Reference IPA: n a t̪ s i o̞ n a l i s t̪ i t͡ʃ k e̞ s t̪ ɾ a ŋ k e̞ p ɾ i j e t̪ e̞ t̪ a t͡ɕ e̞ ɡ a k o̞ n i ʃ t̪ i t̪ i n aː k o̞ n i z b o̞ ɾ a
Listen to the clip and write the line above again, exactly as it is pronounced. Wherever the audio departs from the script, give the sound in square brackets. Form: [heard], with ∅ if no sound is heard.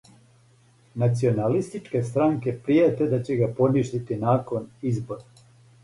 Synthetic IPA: n a t̪ s i o̞ n a l i s t̪ i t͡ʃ k e̞ s t̪ ɾ a ŋ k e̞ p ɾ i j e t̪ e̞ [d̪] a t͡ɕ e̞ ɡ a [p] o̞ n i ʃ t̪ i t̪ i n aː k o̞ n i z b o̞ ɾ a